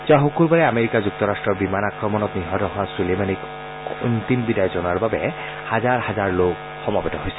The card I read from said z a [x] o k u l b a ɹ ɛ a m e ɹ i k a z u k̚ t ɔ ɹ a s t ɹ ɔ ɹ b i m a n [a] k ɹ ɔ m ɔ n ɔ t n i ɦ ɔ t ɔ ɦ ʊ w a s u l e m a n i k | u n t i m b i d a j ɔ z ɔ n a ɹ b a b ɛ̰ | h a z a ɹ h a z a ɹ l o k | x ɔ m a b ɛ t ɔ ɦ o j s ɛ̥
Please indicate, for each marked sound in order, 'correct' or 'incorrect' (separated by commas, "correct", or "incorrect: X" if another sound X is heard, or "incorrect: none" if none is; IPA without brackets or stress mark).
correct, correct